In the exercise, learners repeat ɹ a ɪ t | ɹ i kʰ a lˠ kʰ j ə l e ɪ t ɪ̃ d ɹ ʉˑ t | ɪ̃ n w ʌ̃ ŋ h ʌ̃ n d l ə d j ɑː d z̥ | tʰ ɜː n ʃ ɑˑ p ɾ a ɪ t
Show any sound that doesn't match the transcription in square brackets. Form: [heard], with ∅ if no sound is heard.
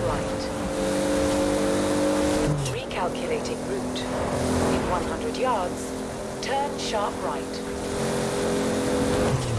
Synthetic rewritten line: ɹ a ɪ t | ɹ i kʰ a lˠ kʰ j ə l e ɪ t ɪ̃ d ɹ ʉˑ t | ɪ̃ n w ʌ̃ [n] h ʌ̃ n d [ɹ] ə d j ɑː d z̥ | tʰ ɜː n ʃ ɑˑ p [ɹ] a ɪ t